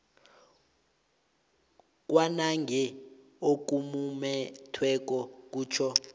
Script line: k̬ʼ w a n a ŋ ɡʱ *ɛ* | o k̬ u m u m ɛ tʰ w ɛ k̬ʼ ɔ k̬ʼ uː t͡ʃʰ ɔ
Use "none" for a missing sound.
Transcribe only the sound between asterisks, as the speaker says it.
ɛ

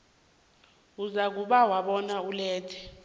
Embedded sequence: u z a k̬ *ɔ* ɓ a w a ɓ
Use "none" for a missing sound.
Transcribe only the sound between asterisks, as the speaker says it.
u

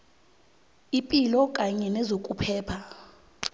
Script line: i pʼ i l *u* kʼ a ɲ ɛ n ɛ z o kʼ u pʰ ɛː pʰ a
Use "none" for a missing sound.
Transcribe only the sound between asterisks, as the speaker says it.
ɔ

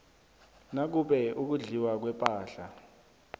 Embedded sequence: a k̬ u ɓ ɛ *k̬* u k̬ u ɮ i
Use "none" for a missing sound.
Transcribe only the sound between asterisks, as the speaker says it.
none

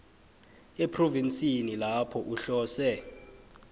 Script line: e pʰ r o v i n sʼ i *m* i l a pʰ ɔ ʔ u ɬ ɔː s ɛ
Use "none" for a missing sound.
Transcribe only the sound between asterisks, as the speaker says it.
n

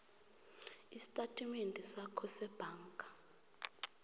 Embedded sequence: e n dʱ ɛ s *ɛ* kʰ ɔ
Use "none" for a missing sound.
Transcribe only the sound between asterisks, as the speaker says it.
a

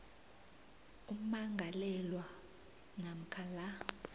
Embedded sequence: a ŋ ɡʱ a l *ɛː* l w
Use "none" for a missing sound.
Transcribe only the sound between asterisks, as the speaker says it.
ɛ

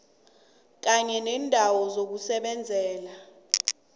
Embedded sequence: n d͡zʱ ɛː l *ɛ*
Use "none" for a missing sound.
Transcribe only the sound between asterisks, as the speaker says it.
a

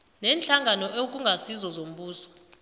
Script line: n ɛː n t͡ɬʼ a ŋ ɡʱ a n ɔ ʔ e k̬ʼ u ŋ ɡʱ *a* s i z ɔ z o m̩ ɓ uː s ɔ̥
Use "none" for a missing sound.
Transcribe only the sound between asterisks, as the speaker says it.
a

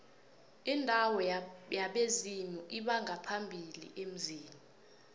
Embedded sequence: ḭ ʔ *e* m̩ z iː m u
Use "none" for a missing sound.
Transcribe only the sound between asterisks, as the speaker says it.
e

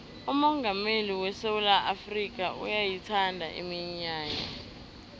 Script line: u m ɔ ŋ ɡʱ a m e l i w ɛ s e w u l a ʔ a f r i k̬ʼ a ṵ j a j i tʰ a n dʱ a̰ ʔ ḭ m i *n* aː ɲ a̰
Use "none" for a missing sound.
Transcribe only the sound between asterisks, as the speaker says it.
ɲ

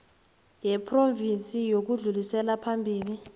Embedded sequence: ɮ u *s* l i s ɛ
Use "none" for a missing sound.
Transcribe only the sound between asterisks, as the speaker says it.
none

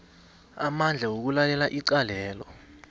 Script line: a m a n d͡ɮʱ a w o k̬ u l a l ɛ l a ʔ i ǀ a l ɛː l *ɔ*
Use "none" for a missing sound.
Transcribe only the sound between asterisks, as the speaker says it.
ɔ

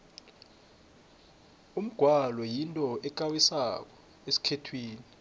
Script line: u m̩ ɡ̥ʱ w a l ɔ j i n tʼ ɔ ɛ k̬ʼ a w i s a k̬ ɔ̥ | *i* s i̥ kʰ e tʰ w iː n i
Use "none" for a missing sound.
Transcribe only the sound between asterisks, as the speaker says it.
e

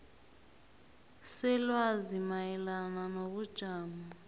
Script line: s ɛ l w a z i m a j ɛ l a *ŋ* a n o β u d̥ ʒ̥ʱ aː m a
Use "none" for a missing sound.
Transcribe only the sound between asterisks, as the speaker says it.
n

